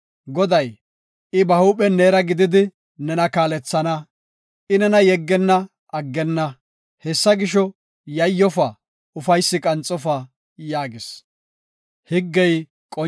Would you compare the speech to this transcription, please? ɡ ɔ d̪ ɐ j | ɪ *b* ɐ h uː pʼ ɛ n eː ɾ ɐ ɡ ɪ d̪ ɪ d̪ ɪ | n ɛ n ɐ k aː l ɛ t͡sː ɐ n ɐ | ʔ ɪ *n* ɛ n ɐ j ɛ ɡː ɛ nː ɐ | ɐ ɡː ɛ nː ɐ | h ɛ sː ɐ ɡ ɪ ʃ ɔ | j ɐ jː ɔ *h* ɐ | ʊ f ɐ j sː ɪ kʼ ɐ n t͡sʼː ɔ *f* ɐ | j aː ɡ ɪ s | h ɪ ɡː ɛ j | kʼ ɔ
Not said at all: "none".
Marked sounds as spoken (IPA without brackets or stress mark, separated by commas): b, n, f, f